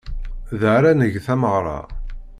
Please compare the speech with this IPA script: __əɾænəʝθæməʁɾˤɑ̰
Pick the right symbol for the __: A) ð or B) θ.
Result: A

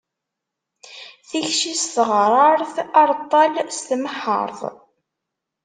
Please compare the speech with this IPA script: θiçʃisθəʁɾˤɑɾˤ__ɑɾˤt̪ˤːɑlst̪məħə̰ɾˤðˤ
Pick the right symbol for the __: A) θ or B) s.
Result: A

